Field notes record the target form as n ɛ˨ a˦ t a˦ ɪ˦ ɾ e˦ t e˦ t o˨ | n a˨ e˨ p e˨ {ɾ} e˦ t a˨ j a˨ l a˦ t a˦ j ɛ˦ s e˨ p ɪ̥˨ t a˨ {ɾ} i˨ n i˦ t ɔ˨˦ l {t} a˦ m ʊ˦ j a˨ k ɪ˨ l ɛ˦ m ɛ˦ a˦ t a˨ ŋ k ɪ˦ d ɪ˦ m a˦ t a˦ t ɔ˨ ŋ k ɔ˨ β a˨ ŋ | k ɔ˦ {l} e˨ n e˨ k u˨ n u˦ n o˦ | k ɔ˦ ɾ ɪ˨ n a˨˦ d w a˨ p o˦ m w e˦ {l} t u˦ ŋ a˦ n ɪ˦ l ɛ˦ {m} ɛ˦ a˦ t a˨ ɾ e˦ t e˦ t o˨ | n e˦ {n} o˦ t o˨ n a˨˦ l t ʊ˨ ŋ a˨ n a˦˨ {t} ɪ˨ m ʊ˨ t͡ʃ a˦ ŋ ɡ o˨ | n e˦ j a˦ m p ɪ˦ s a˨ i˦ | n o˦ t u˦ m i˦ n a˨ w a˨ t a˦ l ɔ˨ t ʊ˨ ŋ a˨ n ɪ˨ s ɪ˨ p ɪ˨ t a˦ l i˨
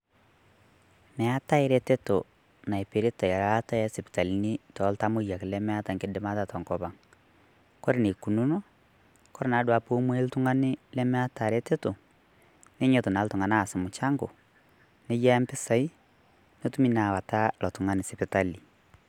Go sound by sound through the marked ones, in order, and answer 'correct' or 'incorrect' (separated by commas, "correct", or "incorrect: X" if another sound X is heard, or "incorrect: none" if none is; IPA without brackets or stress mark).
correct, incorrect: l, correct, incorrect: ɾ, correct, correct, incorrect: ɲ, incorrect: s